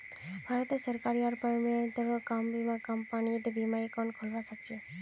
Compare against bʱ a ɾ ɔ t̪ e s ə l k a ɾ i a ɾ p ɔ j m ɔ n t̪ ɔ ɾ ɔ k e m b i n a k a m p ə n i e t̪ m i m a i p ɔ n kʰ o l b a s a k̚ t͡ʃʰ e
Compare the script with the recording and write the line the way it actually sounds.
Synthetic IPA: bʱ a ɾ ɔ t̪ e s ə ɾ k a ɾ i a ɾ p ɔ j m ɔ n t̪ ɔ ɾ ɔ k a m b i m a k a m p a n i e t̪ b i m a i k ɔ n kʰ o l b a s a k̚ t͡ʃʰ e